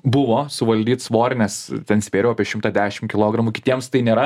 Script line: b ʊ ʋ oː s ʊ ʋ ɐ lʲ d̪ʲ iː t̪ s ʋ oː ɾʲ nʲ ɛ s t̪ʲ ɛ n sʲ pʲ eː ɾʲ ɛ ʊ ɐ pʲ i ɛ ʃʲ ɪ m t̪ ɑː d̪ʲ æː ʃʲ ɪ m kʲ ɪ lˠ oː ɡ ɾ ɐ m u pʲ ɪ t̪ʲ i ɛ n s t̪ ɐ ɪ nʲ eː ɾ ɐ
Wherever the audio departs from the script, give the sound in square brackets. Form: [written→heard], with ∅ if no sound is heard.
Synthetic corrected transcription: b ʊ ʋ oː s ʊ ʋ ɐ lʲ d̪ʲ iː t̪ s ʋ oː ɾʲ nʲ ɛ s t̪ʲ ɛ n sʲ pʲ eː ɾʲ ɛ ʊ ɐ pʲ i ɛ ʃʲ ɪ m t̪ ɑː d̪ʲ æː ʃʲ ɪ m kʲ ɪ lˠ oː ɡ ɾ ɐ m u [pʲ→kʲ] ɪ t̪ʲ i ɛ [n→m] s t̪ ɐ ɪ nʲ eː ɾ ɐ